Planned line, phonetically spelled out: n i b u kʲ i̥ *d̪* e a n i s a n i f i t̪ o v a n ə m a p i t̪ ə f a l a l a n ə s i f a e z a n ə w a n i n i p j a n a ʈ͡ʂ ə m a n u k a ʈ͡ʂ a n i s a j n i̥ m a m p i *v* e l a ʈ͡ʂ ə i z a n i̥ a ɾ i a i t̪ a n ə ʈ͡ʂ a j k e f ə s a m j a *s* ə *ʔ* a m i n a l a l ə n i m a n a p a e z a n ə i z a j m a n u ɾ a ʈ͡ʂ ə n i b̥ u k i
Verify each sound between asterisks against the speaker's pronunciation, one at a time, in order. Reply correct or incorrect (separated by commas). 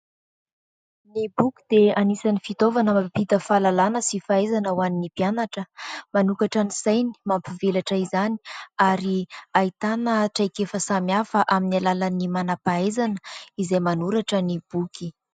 correct, correct, incorrect, correct